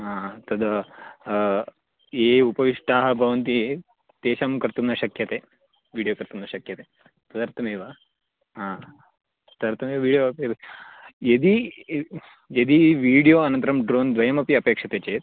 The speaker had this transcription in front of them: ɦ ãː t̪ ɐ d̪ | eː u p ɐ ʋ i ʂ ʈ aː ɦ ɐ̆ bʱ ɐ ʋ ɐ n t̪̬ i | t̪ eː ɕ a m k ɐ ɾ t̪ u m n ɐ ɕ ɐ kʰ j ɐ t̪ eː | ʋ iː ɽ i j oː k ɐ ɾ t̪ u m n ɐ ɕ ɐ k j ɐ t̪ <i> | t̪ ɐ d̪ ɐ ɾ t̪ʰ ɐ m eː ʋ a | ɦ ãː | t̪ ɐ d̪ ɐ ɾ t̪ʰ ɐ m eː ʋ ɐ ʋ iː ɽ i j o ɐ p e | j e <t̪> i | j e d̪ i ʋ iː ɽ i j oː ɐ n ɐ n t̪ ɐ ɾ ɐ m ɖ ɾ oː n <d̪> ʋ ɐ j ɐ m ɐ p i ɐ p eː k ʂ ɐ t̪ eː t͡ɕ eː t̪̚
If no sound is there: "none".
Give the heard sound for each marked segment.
e, d̪, d̪

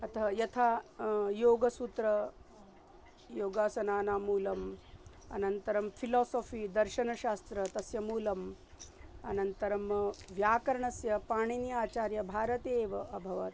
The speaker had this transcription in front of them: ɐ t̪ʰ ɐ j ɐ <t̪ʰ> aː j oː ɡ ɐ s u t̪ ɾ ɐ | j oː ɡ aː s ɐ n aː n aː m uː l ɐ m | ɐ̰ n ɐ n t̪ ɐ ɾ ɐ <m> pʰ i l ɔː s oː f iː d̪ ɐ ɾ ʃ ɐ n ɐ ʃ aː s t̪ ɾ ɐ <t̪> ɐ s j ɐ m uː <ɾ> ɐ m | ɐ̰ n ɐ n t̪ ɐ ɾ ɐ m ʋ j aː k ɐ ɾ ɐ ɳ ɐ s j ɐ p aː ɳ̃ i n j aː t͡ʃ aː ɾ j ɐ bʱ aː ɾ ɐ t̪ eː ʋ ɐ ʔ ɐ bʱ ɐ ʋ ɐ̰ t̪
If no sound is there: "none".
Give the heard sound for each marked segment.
t̪ʰ, m, t̪, l

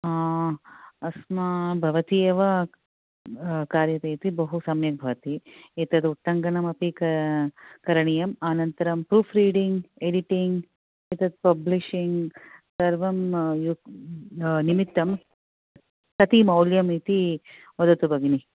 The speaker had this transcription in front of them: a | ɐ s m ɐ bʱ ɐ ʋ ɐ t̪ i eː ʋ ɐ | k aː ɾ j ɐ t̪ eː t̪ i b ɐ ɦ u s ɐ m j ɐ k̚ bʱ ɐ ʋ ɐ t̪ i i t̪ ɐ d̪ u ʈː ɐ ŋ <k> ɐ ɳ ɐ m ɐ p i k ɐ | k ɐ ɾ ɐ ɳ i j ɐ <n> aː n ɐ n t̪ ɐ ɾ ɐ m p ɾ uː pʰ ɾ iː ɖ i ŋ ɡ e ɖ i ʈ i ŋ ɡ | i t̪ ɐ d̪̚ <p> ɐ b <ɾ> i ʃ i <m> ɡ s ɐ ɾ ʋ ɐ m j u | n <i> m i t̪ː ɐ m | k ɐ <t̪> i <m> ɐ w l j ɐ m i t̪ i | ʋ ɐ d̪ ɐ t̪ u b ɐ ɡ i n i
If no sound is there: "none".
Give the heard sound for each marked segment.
ɡ, m, p, l, ŋ, i, t̪, m

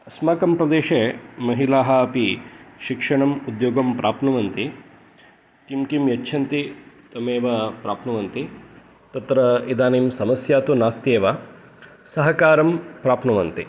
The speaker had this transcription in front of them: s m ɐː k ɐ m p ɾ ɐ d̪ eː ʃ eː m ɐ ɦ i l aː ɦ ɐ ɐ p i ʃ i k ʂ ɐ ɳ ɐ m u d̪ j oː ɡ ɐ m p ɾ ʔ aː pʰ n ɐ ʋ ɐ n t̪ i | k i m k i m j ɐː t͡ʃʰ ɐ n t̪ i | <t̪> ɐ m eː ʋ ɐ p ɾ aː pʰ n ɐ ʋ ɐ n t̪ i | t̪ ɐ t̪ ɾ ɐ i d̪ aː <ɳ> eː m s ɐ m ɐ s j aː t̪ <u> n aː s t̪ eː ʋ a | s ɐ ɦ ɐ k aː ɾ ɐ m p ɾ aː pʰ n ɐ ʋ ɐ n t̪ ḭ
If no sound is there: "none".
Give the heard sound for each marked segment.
t̪, n, u

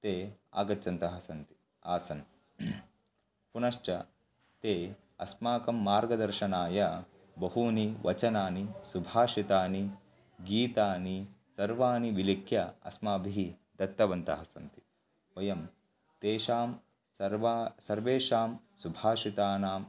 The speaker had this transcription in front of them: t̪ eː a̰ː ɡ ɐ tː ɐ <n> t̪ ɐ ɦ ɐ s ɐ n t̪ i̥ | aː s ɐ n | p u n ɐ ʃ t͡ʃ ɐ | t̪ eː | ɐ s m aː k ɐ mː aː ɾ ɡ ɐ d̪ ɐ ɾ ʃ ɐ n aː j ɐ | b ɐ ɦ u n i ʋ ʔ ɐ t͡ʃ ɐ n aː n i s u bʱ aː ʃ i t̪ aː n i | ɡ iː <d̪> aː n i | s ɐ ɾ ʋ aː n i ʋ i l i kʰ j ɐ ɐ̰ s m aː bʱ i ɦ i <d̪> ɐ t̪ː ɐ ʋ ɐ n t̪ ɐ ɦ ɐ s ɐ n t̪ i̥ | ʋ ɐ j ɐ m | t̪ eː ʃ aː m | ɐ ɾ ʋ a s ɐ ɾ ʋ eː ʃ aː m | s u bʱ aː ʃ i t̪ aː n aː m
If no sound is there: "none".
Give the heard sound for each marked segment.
n, t̪, d̪

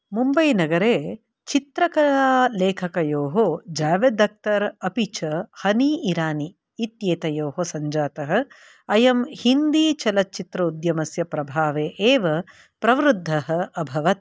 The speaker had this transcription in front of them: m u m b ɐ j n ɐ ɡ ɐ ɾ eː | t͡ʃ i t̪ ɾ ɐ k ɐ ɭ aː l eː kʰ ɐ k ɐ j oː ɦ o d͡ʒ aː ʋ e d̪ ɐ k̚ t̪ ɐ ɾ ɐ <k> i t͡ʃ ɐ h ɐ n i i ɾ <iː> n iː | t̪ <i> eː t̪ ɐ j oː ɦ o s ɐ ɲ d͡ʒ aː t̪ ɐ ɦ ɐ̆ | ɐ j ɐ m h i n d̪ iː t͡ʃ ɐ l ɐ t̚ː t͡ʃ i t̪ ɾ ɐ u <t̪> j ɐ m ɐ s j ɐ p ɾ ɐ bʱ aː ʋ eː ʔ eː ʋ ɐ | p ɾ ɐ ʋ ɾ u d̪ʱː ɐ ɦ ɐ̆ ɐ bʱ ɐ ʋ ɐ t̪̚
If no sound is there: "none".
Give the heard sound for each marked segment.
p, aː, j, d̪

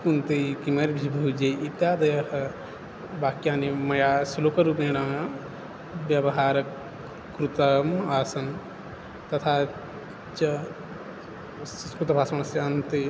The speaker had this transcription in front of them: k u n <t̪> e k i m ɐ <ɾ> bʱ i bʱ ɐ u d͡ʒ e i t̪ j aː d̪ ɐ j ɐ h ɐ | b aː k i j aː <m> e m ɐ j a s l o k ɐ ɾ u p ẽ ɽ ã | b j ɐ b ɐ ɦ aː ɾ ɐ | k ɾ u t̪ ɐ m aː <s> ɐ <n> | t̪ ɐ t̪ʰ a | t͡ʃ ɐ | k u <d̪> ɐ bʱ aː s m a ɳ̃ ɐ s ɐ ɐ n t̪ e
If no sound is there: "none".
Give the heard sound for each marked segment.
t̪, ɾ, n, s, n, t̪

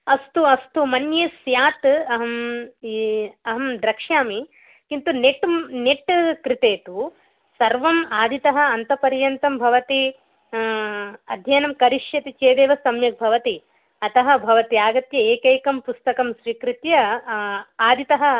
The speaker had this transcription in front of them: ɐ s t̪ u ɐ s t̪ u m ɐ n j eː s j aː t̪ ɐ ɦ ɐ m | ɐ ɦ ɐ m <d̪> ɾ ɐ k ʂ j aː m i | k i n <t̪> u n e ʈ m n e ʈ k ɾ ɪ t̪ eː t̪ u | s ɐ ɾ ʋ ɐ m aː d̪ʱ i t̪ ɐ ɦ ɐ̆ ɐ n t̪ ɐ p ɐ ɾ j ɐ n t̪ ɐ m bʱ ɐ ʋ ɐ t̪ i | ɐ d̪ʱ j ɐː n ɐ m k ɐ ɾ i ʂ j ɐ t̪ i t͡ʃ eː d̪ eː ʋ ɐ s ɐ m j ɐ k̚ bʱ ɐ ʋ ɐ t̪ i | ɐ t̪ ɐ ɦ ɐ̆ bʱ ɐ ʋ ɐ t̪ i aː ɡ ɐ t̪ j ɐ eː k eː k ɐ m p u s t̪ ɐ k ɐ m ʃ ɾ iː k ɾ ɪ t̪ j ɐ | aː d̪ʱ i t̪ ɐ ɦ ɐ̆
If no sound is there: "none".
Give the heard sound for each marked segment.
d̪, t̪

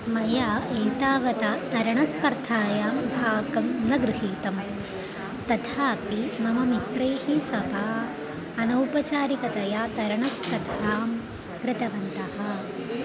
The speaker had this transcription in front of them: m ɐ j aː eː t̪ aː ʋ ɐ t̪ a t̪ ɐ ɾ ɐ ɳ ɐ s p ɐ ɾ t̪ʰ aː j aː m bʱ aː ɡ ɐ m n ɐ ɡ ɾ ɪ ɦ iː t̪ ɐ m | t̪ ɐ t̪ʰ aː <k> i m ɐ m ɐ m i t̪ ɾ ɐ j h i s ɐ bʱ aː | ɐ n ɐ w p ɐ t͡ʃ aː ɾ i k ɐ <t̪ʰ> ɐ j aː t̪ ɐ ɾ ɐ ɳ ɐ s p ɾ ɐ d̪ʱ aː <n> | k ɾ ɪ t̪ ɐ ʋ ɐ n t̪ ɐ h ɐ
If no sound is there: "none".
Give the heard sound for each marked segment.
p, t̪, m

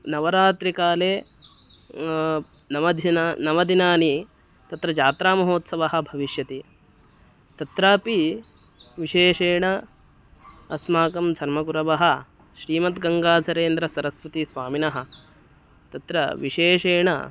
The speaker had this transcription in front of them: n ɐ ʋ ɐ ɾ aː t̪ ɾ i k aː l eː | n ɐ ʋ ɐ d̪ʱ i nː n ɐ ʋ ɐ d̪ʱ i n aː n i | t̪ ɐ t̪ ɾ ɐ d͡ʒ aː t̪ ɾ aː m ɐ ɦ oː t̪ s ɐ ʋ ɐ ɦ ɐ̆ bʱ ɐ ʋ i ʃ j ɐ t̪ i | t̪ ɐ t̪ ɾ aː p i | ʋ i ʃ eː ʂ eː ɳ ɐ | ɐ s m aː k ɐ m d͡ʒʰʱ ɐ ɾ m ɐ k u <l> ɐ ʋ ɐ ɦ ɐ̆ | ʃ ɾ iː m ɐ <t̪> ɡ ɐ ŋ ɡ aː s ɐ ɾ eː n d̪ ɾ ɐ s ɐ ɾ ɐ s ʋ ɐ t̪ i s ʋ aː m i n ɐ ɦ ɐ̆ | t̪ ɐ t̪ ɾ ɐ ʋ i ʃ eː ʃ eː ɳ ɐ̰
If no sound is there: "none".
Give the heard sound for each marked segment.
ɾ, t̪

